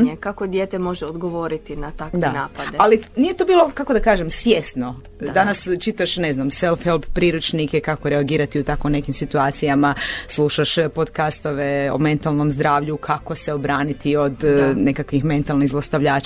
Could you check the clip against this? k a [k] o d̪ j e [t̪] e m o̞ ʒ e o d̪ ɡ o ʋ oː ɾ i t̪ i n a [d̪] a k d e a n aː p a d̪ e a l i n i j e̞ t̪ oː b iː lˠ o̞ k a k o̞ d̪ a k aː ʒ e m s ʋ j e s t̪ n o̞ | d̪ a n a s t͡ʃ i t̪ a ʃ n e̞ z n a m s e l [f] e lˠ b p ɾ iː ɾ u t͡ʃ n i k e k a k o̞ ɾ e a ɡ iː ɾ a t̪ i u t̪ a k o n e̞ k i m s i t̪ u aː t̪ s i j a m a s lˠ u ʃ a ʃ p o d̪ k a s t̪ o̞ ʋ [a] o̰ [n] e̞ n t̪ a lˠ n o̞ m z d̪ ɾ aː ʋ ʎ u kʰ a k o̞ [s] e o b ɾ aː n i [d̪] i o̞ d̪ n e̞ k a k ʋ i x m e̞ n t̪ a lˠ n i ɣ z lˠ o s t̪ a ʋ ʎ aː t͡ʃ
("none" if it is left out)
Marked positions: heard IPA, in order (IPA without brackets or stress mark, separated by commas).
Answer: k, t̪, t̪, f, e, m, s, t̪